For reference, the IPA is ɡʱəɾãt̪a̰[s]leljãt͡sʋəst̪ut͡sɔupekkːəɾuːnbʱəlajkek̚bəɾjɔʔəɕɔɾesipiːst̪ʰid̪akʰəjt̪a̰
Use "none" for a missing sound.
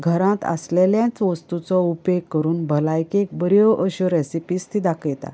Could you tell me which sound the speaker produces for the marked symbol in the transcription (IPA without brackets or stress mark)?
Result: s